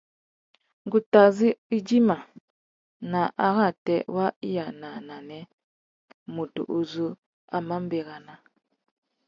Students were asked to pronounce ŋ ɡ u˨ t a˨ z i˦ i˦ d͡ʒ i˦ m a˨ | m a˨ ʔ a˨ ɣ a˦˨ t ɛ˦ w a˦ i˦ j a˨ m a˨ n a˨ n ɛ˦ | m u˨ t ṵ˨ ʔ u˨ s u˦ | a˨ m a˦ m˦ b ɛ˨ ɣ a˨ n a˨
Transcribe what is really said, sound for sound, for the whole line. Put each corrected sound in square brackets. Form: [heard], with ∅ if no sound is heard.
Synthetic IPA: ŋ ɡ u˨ t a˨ z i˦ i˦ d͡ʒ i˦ m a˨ | [n] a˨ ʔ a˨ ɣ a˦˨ t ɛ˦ w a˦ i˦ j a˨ [n] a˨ n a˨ n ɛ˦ | m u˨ t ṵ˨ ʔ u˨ [z] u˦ | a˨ m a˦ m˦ b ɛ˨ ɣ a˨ n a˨